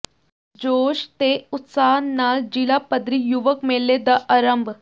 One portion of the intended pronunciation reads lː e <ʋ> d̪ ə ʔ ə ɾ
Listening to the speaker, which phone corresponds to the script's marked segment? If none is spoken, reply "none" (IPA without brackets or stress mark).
none